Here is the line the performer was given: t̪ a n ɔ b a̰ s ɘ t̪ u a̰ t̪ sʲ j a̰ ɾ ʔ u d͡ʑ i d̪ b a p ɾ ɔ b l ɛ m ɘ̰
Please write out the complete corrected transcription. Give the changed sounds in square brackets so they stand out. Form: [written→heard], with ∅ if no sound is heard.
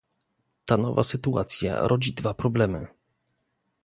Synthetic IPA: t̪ a n ɔ [b→v] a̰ s ɘ t̪ u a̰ t̪ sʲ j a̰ ɾ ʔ [u→ɔ] d͡ʑ i d̪ [b→v] a p ɾ ɔ b l ɛ m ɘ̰

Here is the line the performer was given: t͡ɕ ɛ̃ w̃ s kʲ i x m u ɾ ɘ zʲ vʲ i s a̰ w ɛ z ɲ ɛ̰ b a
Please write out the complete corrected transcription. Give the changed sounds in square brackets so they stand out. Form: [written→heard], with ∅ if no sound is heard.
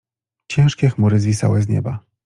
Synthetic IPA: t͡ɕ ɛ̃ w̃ [s→ʂ] kʲ [i→ɛ] x m u ɾ ɘ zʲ vʲ i s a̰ w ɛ z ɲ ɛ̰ b a

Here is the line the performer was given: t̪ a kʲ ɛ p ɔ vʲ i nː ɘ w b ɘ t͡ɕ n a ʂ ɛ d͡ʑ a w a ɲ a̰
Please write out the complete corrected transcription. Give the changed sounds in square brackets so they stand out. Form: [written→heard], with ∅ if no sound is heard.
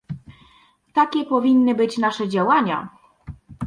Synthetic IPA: t̪ a kʲ ɛ p ɔ vʲ i nː ɘ [w→∅] b ɘ t͡ɕ n a ʂ ɛ d͡ʑ a w a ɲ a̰

